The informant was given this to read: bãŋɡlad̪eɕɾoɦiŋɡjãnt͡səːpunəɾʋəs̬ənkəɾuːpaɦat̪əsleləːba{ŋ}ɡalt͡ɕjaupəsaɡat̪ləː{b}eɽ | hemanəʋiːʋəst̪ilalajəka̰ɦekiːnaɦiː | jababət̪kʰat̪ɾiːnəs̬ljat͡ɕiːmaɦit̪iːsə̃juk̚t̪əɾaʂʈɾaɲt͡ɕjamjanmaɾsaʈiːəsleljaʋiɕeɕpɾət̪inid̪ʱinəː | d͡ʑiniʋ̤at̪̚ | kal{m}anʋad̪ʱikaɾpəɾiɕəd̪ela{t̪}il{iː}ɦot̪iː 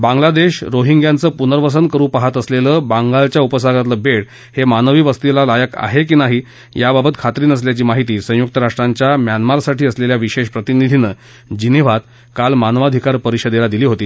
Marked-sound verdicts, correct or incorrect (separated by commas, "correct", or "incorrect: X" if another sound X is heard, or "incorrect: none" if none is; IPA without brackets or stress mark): correct, correct, correct, incorrect: d̪, correct